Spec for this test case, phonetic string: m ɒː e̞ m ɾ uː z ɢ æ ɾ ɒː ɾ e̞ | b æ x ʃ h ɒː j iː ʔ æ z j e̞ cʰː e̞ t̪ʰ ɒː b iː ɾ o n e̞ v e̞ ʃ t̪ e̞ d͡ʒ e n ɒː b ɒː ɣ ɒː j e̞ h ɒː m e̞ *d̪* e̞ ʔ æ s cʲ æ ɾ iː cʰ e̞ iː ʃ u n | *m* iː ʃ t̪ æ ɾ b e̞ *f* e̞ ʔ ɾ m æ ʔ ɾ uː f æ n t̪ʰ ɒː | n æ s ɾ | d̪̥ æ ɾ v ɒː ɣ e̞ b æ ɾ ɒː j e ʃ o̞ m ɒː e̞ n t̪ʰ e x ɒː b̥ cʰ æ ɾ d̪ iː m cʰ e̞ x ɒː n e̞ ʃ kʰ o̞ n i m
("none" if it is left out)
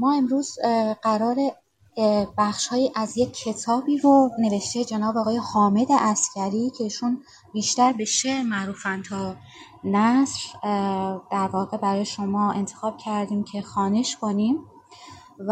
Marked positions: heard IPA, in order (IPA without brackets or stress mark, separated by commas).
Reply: d̪, b, ʃ